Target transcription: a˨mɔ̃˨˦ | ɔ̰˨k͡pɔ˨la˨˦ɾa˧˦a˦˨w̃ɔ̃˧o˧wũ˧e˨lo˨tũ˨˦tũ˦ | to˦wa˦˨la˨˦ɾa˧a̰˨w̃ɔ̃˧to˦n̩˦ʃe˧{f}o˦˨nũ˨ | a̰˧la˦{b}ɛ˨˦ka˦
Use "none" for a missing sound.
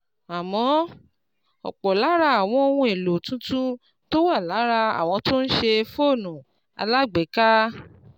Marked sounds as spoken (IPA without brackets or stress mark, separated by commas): f, ɡ͡b